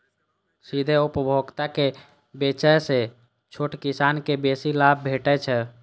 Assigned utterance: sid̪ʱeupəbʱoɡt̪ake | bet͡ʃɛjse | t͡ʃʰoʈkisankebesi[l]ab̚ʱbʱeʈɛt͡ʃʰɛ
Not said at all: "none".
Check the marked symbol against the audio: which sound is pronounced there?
l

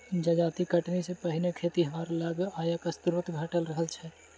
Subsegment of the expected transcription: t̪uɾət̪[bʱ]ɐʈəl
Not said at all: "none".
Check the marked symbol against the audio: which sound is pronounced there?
ɡʱ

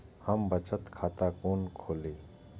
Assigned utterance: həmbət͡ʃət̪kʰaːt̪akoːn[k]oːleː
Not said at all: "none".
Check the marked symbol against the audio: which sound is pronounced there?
kʰ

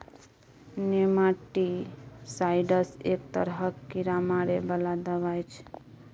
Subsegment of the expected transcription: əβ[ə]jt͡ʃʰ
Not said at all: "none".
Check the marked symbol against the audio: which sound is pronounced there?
a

